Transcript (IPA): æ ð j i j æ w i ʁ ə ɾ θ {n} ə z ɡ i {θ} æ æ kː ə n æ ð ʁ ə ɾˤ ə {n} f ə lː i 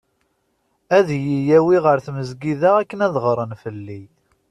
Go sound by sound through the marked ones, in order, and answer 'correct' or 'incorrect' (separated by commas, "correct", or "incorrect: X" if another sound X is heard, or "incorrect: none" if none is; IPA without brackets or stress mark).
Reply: incorrect: m, incorrect: ð, correct